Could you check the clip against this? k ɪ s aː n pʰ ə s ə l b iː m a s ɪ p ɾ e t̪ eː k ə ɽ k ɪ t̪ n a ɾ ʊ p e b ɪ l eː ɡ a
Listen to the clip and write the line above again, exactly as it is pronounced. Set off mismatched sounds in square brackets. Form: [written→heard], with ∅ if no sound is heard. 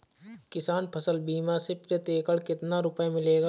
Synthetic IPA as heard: k ɪ s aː n pʰ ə s ə l b iː m a s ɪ p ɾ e t̪ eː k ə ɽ k ɪ t̪ n a ɾ ʊ p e [b→m] ɪ l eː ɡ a